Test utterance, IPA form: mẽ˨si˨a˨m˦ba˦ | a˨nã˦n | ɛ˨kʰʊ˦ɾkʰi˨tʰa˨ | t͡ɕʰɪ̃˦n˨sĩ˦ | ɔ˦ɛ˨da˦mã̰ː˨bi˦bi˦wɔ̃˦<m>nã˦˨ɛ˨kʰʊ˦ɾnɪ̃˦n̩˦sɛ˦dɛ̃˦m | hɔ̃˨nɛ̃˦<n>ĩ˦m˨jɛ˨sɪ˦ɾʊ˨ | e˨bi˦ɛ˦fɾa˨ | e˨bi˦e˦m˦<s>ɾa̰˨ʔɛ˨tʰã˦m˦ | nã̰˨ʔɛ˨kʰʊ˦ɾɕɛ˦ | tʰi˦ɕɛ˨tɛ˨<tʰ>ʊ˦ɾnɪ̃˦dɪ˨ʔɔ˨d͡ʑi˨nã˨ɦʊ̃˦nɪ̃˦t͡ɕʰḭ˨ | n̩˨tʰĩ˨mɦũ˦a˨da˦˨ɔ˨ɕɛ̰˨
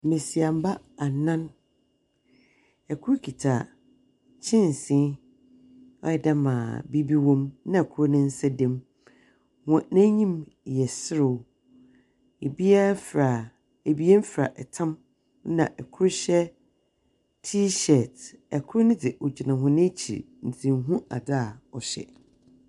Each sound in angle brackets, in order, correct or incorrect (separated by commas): correct, incorrect, incorrect, incorrect